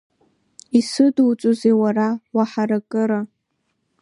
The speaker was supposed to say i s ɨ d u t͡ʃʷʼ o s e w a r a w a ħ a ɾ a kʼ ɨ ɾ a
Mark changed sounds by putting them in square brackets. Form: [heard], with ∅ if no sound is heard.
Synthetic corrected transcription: i s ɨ d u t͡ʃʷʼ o [z] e w a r a w a ħ a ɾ a kʼ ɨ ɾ a